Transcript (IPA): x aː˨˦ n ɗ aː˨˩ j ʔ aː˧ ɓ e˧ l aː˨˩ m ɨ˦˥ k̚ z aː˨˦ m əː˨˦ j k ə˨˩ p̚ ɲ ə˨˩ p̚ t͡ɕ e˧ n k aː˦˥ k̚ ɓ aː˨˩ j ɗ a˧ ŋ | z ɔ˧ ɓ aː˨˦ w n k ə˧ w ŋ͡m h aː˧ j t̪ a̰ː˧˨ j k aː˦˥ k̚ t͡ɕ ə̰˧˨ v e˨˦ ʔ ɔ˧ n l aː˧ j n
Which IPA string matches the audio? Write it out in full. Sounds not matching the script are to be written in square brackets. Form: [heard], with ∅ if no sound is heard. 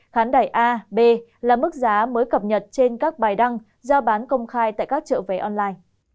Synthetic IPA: x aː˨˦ n ɗ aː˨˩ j ʔ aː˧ ɓ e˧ l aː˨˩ m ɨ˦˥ k̚ z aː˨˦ m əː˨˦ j k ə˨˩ p̚ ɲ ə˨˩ [t̚] t͡ɕ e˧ n k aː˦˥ k̚ ɓ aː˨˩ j ɗ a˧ ŋ | z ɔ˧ ɓ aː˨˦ [∅] n k ə˧ w ŋ͡m [x] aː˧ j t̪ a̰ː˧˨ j k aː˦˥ k̚ t͡ɕ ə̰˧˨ v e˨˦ ʔ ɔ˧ n l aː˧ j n